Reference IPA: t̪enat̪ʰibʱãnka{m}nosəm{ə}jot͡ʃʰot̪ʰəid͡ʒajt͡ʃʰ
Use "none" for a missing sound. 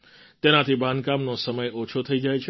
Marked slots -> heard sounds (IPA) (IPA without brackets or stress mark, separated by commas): m, ə